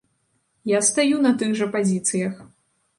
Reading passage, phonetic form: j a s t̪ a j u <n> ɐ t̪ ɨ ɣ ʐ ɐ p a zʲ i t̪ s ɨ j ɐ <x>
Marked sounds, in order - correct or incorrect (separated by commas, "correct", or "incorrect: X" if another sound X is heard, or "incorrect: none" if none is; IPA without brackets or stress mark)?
correct, correct